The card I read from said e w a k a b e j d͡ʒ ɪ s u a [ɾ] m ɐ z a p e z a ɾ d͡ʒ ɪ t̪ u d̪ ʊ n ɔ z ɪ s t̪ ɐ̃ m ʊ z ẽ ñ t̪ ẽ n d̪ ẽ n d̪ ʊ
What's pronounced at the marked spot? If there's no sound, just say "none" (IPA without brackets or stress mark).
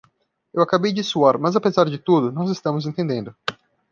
ɾ